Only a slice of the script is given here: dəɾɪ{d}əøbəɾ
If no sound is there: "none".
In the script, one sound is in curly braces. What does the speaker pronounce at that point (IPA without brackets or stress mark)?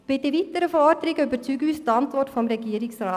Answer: ɡ